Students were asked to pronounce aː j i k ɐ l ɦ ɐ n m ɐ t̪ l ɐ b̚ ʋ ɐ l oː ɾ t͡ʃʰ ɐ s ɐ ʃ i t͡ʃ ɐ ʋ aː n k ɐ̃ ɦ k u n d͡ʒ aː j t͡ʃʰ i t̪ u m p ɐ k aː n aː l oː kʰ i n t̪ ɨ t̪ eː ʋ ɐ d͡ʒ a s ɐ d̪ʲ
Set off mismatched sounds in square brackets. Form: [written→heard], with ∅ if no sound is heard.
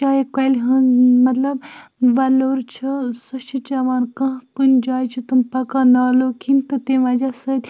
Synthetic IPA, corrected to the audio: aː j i k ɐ l ɦ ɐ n m ɐ t̪ l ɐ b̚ ʋ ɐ l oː ɾ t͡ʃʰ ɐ s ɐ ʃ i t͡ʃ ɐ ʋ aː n k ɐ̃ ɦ k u n d͡ʒ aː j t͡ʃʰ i t̪ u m p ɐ k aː n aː l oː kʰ i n t̪ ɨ t̪ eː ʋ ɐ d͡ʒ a s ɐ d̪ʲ